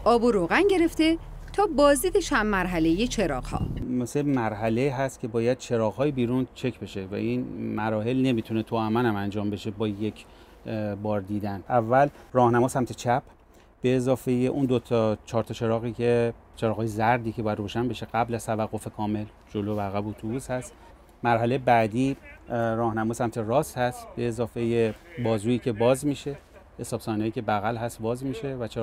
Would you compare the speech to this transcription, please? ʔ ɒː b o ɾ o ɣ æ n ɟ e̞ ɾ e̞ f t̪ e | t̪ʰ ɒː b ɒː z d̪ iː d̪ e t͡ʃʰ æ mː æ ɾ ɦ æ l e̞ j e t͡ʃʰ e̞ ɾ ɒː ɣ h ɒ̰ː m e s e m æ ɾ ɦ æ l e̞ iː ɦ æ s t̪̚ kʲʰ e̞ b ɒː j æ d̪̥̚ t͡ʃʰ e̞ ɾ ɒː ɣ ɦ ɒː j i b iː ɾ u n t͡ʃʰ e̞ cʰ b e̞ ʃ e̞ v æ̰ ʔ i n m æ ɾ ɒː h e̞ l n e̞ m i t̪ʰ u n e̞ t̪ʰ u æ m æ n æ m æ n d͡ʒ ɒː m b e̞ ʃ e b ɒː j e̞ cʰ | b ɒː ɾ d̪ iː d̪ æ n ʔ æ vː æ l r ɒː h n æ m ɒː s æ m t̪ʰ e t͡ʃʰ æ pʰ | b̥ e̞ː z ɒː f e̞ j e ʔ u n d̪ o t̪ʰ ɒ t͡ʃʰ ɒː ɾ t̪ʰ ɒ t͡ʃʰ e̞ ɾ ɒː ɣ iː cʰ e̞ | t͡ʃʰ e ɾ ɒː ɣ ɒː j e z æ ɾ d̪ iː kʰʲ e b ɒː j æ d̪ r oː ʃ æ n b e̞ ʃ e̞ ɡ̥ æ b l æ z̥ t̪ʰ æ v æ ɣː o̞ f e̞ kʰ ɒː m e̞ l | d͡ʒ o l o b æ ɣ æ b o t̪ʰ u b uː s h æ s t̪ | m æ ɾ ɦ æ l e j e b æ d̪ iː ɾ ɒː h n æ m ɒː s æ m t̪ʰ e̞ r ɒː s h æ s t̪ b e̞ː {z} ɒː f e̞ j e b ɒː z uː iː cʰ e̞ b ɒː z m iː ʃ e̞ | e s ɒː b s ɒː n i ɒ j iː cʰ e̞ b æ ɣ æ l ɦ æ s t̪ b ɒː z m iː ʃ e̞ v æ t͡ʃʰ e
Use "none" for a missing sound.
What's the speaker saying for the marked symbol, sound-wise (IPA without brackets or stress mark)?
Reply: z